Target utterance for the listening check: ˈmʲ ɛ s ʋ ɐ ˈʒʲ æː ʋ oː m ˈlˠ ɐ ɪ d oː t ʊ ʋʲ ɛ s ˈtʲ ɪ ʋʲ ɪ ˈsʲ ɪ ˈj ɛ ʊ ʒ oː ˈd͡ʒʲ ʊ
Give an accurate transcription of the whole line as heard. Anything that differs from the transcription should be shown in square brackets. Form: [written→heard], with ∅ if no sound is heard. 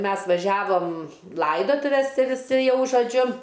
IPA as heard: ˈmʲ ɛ s ʋ ɐ ˈʒʲ æː ʋ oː m ˈlˠ ɐ ɪ d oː t ʊ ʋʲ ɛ s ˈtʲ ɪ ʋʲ ɪ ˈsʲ ɪ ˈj ɛ ʊ ʒ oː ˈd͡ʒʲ ʊ